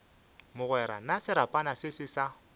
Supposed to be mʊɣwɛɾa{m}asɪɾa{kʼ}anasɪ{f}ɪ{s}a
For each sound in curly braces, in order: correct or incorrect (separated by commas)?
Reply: incorrect, incorrect, incorrect, correct